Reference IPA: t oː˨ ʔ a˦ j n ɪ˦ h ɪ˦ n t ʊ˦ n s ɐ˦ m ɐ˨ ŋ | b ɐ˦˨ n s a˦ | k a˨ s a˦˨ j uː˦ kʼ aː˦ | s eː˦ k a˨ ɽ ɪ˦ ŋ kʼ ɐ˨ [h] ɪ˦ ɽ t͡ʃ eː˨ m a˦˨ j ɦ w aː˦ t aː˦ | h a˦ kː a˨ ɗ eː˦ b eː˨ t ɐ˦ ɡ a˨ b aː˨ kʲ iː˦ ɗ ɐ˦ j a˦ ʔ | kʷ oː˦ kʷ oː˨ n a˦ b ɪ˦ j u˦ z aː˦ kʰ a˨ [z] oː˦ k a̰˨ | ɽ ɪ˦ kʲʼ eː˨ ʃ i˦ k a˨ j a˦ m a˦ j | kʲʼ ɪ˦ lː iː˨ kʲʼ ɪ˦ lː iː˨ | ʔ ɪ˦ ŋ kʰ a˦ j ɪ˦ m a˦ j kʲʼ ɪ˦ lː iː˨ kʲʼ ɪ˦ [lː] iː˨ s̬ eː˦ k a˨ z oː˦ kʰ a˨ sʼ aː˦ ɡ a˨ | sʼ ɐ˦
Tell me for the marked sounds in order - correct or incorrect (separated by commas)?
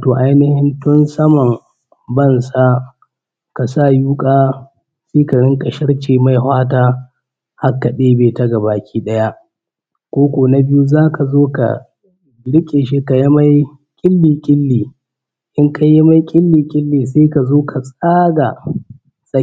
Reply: incorrect, correct, correct